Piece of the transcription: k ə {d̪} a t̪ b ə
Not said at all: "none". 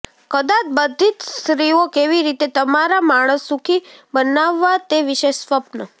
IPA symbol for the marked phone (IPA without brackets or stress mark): d̪